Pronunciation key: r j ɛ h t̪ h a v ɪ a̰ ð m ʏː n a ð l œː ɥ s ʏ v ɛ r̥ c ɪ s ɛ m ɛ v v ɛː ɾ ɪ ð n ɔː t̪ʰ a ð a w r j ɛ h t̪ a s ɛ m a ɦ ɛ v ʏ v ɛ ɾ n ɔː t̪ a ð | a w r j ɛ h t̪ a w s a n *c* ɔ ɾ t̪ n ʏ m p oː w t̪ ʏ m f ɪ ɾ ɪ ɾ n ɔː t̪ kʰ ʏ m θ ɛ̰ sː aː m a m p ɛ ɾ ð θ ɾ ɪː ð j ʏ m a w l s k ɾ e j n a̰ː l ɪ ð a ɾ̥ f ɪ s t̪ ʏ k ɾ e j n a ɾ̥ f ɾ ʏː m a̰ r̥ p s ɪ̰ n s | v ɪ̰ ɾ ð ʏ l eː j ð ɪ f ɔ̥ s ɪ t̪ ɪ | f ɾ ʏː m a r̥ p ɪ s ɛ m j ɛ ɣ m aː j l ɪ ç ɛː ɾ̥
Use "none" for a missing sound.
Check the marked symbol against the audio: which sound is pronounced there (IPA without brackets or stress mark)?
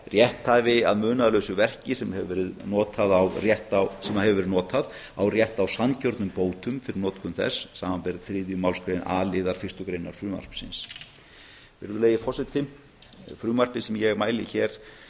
c